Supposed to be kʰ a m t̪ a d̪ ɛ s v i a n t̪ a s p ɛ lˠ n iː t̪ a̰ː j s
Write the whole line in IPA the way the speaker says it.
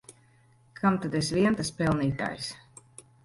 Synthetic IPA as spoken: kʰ a m t̪ a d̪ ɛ s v i ɛ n t̪ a s p ɛ lˠ n iː t̪ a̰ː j s